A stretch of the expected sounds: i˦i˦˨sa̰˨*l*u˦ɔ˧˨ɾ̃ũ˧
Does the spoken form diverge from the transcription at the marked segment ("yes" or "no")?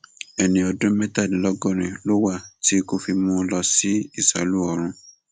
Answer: no